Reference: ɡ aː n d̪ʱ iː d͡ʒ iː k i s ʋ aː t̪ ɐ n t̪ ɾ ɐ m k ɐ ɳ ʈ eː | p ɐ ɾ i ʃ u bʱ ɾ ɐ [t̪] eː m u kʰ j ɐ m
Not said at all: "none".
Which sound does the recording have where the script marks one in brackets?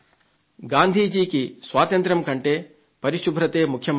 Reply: t̪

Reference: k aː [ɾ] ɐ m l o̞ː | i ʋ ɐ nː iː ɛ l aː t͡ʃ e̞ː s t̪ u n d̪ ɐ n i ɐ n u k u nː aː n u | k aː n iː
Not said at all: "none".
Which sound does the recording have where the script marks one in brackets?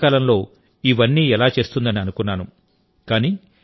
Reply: l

